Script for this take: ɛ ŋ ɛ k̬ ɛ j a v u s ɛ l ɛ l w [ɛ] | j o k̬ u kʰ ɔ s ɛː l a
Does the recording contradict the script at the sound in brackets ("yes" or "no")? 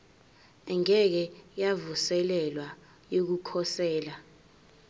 yes